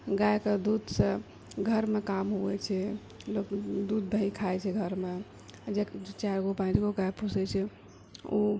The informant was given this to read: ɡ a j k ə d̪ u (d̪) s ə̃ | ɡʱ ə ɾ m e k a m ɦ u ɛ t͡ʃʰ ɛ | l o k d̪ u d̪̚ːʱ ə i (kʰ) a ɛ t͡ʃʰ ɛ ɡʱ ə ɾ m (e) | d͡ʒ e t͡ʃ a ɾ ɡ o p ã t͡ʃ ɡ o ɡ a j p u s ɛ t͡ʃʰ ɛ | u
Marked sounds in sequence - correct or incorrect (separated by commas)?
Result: correct, correct, correct